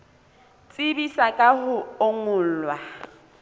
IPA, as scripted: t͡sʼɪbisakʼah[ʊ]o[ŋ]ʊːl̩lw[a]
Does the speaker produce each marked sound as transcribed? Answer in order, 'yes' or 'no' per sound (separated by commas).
yes, yes, yes